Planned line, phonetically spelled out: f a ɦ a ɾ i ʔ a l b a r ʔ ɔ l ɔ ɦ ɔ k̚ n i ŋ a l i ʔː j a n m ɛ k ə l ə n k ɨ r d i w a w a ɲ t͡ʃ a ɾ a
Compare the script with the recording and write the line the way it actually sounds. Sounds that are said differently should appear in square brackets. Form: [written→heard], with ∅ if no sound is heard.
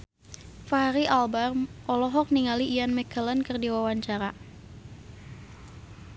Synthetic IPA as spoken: f a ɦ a ɾ i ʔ a l b a r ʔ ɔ l ɔ ɦ ɔ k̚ n i ŋ a l i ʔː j a n m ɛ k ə l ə n k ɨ r d i w a w a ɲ t͡ʃ a ɾ a